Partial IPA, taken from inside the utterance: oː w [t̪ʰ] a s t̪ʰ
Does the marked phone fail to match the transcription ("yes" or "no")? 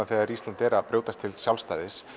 yes